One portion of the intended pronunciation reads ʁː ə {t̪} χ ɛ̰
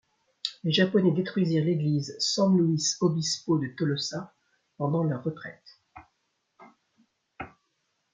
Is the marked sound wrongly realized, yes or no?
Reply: no